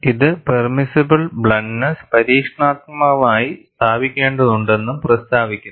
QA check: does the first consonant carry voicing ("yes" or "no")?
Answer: yes